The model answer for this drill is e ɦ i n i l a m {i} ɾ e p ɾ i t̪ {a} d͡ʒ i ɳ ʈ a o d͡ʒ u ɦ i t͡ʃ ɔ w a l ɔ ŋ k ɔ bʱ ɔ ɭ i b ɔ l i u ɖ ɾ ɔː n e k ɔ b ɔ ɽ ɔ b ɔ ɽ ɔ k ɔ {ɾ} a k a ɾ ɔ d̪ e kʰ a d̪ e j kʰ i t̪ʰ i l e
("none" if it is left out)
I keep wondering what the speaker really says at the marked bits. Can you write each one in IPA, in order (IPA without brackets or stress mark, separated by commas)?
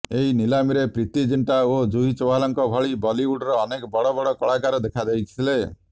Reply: i, i, ɭ